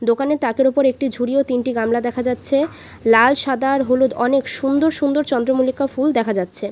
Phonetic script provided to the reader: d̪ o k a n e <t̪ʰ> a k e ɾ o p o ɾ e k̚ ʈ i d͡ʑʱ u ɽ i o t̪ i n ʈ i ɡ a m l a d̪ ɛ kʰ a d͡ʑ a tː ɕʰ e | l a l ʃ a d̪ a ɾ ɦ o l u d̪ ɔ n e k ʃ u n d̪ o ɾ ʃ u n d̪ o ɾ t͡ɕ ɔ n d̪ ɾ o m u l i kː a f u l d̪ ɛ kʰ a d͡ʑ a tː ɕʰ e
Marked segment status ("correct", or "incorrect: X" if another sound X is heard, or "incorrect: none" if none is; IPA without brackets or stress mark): incorrect: t̪